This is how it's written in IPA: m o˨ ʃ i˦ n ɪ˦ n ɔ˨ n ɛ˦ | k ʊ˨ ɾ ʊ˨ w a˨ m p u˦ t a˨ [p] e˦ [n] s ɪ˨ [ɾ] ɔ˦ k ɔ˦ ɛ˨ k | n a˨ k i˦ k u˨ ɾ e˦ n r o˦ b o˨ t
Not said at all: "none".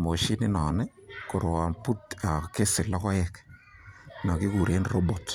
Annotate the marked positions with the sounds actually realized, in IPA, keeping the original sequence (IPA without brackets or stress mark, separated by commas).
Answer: k, none, l